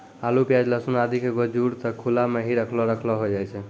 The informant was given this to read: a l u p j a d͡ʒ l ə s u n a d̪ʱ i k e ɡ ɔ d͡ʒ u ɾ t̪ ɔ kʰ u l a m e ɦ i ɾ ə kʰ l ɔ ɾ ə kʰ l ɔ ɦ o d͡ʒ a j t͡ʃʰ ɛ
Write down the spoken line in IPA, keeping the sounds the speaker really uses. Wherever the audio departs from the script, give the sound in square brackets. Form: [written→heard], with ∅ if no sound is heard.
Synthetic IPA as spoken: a l u p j a d͡ʒ l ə s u n a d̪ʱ i k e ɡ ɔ d͡ʒ u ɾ t̪ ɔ kʰ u l a m e ɦ i ɾ ə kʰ l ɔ ɾ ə kʰ l ɔ ɦ o d͡ʒ a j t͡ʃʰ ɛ